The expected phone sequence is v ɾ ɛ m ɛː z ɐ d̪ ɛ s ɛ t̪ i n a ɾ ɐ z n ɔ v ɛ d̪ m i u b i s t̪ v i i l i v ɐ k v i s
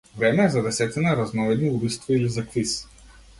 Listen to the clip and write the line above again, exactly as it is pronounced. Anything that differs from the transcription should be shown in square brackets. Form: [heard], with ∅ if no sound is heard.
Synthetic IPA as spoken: v ɾ ɛ m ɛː z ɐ d̪ ɛ s ɛ t̪ i n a ɾ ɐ z n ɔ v ɛ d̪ [n] i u b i s t̪ v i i l i [z] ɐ k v i s